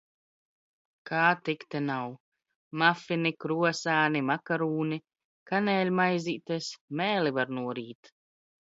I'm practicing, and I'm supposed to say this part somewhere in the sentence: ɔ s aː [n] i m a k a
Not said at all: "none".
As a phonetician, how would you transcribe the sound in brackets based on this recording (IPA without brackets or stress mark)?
n